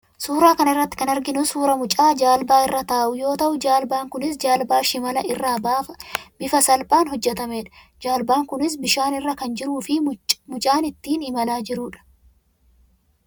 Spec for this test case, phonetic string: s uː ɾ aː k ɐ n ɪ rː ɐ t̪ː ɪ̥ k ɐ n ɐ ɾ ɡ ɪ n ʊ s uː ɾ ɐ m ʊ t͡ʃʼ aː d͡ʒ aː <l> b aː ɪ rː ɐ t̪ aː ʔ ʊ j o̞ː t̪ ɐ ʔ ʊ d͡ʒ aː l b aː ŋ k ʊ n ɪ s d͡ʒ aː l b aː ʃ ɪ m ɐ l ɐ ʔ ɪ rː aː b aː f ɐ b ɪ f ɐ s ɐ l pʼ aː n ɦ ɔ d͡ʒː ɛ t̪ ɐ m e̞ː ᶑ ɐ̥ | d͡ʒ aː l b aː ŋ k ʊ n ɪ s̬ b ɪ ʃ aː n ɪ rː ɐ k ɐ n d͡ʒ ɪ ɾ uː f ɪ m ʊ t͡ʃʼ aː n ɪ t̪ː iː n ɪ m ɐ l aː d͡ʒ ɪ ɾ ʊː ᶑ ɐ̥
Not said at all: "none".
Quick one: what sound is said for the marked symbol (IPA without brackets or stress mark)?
l